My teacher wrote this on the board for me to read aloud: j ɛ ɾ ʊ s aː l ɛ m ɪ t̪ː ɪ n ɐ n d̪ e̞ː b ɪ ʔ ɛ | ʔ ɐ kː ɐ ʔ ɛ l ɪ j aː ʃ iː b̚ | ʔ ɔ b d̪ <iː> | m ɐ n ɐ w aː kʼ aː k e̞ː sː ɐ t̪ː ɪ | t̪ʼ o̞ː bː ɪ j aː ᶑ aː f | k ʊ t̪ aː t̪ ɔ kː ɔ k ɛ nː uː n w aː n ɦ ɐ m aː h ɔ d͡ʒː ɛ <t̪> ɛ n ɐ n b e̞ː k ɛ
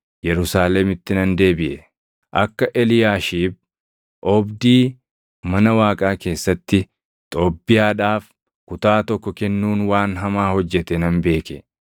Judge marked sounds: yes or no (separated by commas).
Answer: yes, yes